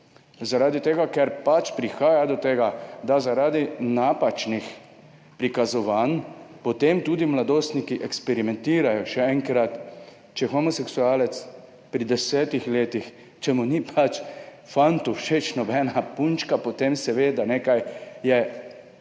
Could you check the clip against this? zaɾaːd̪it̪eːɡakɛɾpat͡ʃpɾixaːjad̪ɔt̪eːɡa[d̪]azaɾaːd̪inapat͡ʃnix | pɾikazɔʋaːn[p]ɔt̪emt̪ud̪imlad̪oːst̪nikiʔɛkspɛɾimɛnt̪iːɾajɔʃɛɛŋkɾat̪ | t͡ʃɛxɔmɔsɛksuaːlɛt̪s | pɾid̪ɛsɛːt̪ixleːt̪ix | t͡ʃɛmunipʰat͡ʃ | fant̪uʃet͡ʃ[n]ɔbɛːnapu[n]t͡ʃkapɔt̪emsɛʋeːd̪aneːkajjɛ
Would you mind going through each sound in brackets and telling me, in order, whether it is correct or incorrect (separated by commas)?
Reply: correct, correct, correct, correct